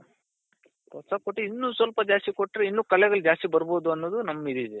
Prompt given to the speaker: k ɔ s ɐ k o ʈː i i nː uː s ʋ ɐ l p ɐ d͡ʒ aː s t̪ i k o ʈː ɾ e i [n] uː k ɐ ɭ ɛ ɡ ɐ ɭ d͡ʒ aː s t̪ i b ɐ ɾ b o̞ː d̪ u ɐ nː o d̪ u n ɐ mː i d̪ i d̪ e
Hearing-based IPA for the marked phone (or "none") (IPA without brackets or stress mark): nː